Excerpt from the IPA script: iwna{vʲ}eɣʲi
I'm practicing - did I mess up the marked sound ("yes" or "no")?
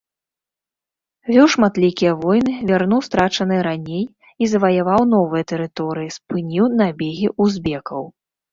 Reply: yes